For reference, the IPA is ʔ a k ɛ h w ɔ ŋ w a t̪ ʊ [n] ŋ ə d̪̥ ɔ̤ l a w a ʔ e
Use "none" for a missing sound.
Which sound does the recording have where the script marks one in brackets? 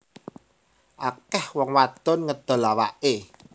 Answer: n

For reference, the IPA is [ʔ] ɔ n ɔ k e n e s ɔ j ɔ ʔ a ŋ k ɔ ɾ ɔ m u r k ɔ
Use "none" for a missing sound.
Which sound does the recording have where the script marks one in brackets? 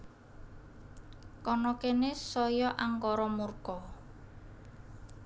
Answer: k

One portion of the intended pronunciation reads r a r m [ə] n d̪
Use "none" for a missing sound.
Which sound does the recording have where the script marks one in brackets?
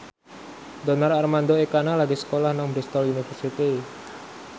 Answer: a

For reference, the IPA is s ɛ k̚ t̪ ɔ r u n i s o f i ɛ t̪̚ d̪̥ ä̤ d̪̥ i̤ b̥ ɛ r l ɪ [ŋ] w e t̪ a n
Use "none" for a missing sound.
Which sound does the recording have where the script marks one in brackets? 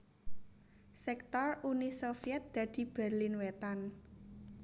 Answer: n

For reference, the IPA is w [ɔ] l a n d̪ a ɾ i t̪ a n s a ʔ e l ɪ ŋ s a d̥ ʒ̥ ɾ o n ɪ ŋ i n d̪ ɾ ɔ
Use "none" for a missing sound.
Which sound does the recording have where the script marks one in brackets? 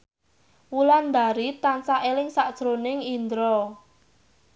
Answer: u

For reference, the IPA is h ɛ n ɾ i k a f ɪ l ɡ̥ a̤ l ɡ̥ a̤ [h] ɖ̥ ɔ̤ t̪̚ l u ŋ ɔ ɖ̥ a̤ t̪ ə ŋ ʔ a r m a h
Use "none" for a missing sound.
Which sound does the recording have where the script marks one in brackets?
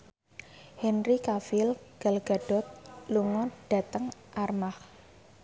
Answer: none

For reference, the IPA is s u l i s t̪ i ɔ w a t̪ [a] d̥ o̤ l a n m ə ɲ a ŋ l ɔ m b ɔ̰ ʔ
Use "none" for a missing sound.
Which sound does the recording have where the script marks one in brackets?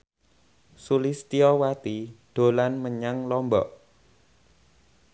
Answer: i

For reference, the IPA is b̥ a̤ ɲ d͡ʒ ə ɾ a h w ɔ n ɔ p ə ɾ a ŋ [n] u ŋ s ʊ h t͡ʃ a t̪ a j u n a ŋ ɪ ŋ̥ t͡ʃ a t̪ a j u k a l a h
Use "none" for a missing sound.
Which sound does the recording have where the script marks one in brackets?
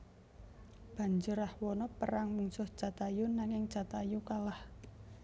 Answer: m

